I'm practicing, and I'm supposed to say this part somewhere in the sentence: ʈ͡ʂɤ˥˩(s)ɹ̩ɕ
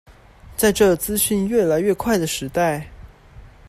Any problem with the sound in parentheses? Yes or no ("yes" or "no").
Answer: yes